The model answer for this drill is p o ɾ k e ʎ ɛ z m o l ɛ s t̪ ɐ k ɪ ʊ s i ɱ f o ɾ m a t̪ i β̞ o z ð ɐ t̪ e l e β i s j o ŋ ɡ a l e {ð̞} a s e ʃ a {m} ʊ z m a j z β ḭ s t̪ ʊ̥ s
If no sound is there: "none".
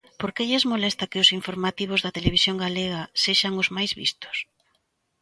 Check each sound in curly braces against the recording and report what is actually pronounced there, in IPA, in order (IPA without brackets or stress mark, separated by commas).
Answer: ɣ̞, ŋ